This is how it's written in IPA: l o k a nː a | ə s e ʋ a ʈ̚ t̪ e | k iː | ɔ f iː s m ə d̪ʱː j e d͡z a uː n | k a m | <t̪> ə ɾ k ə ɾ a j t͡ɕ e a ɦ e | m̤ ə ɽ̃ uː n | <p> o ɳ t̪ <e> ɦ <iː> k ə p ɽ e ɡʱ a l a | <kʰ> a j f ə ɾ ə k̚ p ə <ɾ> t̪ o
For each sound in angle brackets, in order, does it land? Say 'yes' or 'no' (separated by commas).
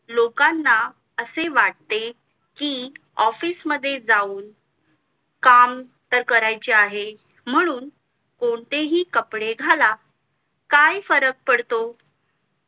yes, no, yes, yes, no, no